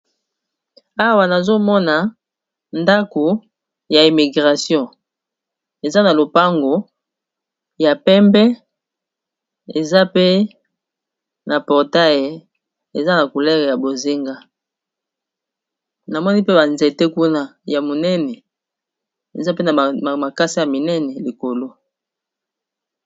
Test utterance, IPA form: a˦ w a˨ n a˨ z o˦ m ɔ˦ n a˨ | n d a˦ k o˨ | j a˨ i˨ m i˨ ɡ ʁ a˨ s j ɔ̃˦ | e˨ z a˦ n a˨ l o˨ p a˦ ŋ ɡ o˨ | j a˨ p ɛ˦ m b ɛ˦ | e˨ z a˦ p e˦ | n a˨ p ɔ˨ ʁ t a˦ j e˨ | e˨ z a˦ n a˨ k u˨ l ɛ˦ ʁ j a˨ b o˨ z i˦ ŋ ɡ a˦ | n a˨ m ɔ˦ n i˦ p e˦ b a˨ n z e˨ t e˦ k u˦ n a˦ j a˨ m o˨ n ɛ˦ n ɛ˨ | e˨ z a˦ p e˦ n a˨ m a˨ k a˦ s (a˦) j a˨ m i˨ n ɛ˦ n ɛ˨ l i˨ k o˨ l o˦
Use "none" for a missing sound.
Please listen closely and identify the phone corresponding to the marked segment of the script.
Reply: i˦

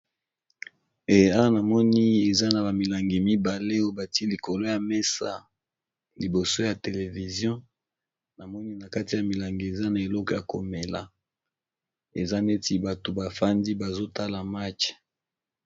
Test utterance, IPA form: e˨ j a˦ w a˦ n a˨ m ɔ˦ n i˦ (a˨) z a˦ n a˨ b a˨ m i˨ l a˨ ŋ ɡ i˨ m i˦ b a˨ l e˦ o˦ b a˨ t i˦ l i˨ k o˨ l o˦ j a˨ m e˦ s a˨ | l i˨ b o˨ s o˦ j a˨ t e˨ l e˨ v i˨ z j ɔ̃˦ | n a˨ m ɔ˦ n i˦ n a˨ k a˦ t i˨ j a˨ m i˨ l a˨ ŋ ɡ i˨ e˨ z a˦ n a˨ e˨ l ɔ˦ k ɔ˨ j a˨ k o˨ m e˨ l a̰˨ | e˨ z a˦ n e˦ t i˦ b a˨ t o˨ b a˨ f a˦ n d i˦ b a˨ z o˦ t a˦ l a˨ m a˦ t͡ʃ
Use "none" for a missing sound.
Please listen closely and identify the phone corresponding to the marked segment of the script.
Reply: e˨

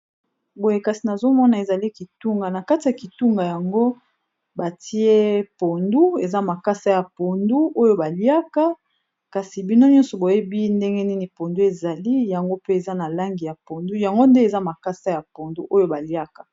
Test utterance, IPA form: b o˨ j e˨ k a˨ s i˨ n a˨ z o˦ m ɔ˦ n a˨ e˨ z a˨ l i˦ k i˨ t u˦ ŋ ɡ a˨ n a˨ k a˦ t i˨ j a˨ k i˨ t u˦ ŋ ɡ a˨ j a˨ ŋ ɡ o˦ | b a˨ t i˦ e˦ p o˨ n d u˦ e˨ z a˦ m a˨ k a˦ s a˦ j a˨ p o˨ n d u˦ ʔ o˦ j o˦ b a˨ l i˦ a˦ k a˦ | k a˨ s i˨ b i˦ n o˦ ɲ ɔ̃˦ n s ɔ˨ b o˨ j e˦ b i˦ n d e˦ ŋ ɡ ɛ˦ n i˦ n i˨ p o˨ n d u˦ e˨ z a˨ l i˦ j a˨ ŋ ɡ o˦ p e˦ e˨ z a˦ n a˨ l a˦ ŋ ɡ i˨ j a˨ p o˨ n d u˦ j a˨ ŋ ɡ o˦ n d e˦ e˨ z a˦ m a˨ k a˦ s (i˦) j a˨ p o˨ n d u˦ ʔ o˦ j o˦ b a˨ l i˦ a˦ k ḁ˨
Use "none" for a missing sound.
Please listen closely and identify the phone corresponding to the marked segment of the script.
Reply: a˦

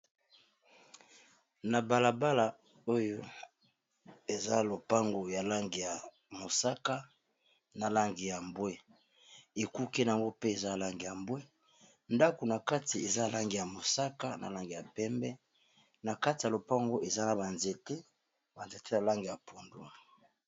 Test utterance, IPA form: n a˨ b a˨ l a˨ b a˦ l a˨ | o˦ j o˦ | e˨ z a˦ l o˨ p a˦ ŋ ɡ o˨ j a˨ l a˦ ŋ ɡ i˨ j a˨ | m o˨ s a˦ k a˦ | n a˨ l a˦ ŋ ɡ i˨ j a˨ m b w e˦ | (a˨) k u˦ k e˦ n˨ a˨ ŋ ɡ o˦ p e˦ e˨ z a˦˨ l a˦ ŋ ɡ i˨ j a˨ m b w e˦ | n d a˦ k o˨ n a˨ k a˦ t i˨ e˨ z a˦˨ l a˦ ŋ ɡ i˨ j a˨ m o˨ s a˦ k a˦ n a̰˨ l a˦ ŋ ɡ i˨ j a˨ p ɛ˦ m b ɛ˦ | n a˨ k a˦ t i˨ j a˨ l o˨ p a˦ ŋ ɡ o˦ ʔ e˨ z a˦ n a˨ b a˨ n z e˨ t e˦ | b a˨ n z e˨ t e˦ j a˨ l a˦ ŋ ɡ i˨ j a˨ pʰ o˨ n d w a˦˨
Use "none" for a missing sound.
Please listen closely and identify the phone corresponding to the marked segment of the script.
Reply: e˨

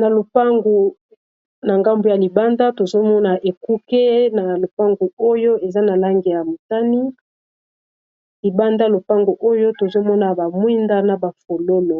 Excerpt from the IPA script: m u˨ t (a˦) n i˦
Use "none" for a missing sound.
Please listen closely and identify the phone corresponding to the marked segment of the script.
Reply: a˦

